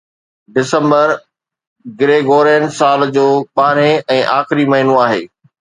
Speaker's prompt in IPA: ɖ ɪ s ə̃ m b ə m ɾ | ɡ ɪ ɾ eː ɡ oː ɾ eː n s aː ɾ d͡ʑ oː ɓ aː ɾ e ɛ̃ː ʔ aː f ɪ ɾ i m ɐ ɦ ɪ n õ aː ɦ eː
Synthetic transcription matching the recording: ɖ ɪ s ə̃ m b ə ɾ | ɡ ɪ ɾ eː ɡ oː ɾ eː n s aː l d͡ʑ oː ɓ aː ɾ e ɛ̃ː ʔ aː x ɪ ɾ i m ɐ ɦ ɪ n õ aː ɦ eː